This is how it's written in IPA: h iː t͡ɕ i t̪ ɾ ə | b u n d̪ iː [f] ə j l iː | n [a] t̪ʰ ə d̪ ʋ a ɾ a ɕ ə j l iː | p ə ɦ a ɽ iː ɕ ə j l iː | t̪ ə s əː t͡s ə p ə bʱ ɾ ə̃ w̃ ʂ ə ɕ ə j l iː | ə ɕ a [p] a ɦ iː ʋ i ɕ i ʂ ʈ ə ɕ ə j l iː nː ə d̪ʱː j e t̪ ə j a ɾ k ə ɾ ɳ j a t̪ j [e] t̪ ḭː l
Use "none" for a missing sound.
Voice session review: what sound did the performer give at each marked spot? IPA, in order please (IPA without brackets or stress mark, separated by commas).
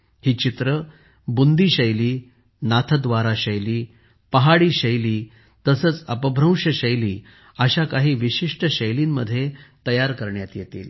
ɕ, a, k, e